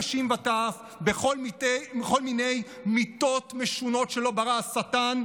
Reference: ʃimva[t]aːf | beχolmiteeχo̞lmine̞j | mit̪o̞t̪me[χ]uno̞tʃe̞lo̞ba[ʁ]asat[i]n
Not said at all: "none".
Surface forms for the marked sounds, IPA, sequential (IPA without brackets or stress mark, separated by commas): t, ʃ, ʁ, a